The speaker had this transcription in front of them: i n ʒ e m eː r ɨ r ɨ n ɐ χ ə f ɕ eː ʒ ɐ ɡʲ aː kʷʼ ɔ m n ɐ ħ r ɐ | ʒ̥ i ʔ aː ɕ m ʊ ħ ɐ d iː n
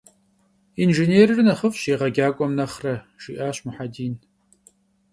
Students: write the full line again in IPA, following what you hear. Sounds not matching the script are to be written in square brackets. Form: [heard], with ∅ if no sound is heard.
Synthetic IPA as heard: i n ʒ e [n] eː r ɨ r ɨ n ɐ χ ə f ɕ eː [ʁ] ɐ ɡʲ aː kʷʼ ɔ m n ɐ [χ] r ɐ | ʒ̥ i ʔ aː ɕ m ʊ ħ [a] d iː n

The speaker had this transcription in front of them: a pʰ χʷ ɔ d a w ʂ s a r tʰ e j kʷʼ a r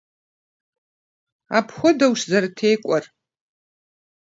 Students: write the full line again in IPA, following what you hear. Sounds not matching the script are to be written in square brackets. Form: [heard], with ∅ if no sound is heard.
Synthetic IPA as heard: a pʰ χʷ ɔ d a w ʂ [z] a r tʰ e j kʷʼ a r

